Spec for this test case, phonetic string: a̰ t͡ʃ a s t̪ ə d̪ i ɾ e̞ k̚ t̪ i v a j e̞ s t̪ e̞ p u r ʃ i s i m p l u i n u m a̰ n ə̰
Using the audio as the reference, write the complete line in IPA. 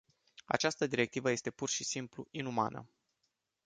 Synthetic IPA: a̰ t͡ʃ a s t̪ ə d̪ i ɾ e̞ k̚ t̪ i v ə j e̞ s t̪ e̞ p u r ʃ i s i m p l u i n u m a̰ n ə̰